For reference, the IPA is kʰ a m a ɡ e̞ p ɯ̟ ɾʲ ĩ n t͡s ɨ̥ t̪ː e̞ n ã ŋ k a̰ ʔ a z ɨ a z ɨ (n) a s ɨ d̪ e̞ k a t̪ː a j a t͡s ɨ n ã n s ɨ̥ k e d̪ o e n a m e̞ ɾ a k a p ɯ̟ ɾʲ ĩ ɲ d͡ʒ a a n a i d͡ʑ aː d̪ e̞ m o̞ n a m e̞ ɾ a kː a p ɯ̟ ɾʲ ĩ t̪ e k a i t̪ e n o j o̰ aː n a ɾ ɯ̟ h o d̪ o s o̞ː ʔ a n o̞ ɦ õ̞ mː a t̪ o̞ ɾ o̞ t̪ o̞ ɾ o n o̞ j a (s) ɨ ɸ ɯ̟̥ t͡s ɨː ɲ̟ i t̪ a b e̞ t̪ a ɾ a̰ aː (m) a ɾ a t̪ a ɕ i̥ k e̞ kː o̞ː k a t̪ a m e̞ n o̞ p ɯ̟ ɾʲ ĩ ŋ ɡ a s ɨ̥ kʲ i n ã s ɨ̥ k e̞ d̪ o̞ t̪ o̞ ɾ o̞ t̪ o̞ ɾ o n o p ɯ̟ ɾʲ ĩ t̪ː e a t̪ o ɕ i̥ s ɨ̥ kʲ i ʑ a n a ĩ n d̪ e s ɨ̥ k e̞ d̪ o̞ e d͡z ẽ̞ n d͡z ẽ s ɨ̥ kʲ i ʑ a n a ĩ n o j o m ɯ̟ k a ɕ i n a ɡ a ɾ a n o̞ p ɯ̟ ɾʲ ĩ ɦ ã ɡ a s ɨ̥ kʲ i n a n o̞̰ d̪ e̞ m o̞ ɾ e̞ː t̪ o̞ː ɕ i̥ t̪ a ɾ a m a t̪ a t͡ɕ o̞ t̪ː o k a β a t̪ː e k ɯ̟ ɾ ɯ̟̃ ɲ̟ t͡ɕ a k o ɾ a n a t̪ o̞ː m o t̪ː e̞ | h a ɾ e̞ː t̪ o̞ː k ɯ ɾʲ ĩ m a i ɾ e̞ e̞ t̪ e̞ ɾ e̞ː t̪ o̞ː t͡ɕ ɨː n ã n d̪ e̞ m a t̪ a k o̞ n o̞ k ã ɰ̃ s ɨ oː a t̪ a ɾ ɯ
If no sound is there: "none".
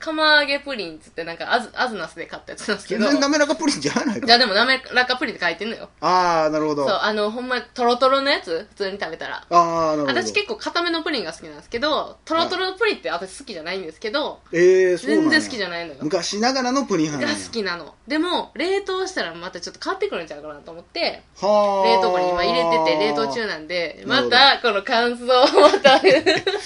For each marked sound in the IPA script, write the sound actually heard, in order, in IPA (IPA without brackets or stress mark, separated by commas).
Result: n, t͡s, n